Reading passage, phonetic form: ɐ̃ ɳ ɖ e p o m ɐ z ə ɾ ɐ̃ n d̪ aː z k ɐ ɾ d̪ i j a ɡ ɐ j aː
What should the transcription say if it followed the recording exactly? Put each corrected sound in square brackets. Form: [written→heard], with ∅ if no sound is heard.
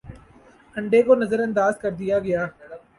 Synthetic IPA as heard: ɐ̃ ɳ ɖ e [p→k] o [m→n] ɐ z ə ɾ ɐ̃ n d̪ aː z k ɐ ɾ d̪ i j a ɡ ɐ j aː